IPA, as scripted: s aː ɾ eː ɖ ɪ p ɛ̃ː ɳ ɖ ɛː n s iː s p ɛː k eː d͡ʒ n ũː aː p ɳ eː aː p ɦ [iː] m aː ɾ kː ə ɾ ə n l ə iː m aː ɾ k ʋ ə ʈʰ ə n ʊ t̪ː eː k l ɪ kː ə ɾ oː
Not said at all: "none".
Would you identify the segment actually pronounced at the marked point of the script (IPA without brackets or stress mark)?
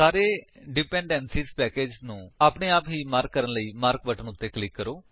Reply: iː